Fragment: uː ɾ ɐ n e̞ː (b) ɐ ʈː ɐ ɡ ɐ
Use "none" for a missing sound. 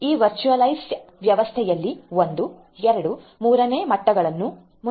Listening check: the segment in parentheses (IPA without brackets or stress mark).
m